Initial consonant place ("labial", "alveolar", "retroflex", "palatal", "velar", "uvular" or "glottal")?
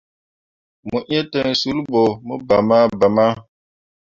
labial